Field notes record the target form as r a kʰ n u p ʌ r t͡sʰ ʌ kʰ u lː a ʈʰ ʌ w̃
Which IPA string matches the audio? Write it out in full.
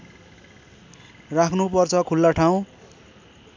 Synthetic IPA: r a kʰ n u p ʌ r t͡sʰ ʌ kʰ u lː a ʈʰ a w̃